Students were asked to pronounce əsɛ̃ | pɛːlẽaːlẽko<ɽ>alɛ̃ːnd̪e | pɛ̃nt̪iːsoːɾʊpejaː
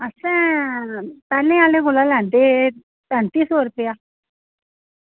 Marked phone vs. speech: incorrect: l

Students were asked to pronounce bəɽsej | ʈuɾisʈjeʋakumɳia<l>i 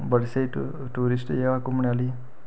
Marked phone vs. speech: correct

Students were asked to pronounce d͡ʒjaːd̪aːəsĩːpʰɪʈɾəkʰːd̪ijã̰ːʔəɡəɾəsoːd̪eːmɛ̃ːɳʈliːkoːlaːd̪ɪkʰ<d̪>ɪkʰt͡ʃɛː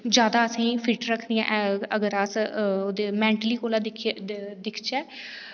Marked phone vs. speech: correct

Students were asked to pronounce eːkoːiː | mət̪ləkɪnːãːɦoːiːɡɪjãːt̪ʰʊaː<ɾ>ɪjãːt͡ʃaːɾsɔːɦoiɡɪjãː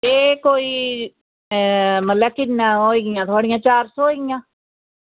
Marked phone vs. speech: incorrect: ɽ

